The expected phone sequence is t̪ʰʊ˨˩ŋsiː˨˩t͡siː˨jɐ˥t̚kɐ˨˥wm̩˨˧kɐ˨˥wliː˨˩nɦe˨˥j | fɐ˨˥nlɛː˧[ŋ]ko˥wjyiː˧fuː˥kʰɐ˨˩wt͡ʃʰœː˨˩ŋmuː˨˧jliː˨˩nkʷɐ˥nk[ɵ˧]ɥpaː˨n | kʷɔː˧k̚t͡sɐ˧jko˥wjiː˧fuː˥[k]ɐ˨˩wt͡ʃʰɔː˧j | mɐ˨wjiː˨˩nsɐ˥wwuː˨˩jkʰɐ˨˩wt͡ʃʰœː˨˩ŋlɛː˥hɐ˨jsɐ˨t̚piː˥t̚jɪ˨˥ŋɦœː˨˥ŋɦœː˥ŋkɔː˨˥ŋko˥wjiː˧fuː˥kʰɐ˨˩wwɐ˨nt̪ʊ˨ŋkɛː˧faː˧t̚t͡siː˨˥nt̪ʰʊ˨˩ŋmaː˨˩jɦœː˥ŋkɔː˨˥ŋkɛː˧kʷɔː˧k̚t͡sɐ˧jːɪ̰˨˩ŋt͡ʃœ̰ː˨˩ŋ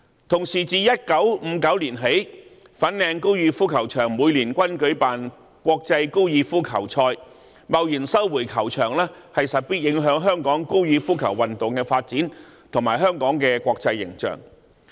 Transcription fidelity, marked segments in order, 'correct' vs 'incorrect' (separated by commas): correct, incorrect, incorrect